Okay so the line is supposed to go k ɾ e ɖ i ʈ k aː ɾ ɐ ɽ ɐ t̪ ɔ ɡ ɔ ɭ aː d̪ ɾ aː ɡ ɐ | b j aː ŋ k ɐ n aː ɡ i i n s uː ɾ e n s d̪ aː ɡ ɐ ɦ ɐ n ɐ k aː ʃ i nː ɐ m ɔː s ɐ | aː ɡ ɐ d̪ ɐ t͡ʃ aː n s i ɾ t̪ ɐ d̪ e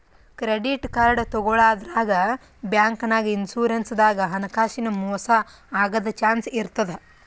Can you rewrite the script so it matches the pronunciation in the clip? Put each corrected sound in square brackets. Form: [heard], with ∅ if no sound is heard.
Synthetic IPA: k ɾ e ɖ i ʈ k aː ɾ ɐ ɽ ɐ t̪ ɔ ɡ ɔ ɭ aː d̪ ɾ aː ɡ ɐ | b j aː ŋ k ɐ n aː ɡ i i n s uː ɾ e n s d̪ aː ɡ ɐ ɦ ɐ n ɐ k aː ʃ i [n] ɐ m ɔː s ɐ | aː ɡ ɐ d̪ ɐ t͡ʃ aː n s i ɾ t̪ ɐ d̪ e